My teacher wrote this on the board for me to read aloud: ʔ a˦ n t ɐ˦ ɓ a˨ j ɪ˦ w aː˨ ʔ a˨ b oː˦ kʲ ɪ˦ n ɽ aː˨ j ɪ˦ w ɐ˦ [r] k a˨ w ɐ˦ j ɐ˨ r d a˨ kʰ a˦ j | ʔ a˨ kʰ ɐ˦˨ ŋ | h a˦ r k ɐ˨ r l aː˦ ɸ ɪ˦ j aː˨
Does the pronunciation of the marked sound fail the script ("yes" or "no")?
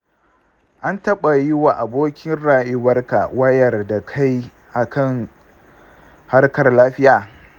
no